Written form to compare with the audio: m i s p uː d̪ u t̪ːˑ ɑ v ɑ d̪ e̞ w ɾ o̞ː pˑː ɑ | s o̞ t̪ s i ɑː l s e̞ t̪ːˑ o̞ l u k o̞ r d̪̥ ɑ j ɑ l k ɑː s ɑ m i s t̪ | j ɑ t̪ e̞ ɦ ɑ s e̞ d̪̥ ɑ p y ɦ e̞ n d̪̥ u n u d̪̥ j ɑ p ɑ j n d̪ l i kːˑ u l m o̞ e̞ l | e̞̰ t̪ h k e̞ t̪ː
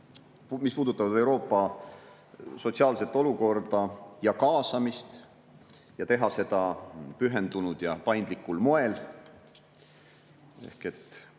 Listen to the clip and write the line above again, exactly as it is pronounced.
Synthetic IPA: m i s p uː d̪ u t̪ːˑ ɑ v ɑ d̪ e̞ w ɾ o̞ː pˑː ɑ | s o̞ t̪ s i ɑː l s e̞ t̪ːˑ o̞ l u k o̞ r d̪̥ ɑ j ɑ k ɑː s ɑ m i s t̪ | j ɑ t̪ e̞ ɦ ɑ s e̞ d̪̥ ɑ p y ɦ e̞ n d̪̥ u n u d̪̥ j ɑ p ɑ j n d̪ l i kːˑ u l m o̞ e̞ l | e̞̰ h k e̞ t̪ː